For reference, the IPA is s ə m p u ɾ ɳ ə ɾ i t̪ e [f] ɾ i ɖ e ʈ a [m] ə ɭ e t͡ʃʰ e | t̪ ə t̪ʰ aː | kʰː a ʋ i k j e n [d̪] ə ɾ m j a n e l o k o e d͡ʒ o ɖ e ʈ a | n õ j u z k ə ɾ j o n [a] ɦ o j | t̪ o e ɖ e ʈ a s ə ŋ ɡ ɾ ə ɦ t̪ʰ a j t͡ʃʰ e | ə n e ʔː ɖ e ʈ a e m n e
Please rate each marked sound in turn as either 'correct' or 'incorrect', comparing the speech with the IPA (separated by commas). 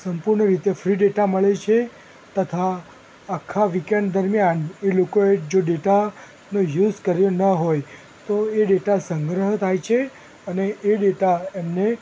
correct, correct, correct, incorrect